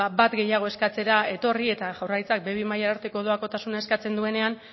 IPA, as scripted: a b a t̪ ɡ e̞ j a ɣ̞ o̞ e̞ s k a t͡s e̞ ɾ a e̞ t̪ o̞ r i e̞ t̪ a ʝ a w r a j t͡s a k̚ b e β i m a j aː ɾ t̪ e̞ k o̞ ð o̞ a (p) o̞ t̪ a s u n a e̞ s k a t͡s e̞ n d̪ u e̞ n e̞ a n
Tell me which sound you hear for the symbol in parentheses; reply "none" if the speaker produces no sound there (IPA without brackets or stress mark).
k